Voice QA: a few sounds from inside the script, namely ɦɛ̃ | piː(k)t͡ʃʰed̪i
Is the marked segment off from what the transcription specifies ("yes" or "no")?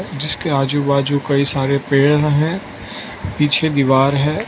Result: yes